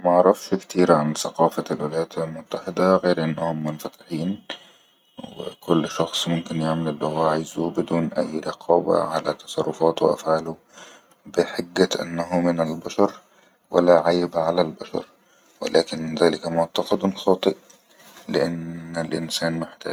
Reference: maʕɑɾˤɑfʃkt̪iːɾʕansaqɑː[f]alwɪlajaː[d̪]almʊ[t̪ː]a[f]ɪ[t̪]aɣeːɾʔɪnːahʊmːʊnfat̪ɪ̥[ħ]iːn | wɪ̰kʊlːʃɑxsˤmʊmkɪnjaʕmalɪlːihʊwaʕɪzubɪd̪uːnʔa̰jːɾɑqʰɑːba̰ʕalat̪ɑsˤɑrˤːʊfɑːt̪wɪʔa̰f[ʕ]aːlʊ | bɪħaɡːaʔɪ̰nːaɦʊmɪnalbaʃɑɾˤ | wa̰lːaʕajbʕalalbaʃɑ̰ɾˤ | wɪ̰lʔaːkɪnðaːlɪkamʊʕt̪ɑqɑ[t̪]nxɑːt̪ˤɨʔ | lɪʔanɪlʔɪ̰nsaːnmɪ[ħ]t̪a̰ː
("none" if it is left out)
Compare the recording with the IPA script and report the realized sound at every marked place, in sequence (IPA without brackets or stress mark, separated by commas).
f, t̪, t̪ː, ħ, d̪, ħ, ʕ, d̪, ħ